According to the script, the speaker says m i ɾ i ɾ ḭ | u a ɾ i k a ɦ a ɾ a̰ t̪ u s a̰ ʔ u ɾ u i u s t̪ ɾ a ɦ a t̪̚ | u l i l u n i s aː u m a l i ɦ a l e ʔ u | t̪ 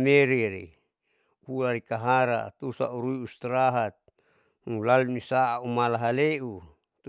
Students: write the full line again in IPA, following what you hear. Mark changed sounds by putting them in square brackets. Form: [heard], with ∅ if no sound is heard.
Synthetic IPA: m [e] ɾ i ɾ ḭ | u a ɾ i k a ɦ a ɾ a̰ t̪ u s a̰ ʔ u ɾ u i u s t̪ ɾ a ɦ a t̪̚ | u l [a] l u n i s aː u m a l [a] ɦ a l e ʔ u | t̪